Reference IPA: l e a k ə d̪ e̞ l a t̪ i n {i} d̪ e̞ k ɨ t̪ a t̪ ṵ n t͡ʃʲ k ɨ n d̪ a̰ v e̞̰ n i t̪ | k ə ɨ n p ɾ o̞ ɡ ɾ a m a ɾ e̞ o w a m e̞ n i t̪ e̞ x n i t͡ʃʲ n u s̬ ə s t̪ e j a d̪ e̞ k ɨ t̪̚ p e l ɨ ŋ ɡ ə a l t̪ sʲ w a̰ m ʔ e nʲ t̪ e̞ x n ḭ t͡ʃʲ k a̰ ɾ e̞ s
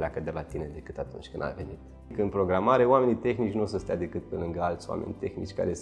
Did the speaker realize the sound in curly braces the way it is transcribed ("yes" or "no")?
no